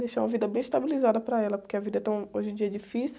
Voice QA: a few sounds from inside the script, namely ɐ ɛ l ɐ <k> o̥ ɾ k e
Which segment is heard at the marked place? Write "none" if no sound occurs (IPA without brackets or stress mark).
p